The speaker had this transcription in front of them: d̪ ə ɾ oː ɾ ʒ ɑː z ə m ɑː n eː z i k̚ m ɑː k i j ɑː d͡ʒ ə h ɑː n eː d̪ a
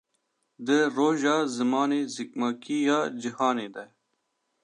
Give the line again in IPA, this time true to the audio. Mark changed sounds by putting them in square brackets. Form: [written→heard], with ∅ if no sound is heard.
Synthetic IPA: d̪ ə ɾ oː [ɾ→∅] ʒ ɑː z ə m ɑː n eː z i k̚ m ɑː k i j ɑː d͡ʒ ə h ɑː n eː d̪ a